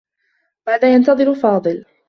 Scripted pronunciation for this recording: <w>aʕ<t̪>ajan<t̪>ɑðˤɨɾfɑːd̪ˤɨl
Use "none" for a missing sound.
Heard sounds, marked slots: b, d̪, t̪

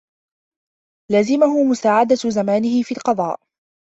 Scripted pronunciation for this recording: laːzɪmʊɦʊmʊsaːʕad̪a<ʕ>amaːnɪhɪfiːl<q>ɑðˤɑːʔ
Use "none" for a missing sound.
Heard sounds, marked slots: z, q

